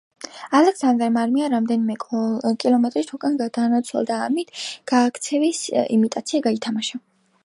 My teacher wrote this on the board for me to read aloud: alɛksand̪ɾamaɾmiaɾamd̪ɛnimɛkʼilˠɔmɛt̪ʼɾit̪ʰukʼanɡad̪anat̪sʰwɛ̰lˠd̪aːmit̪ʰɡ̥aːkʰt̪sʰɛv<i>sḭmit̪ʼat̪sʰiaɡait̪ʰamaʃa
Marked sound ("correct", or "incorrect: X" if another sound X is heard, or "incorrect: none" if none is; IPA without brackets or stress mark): correct